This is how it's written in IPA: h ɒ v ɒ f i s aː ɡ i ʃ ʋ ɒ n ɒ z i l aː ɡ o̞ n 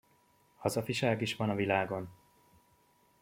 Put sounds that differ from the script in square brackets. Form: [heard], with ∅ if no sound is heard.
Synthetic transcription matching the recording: h ɒ [z] ɒ f i [ʃ] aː ɡ i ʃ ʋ ɒ n ɒ [v] i l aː ɡ o̞ n